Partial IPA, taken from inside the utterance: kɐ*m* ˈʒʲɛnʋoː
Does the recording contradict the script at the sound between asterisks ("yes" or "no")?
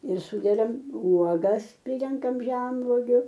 no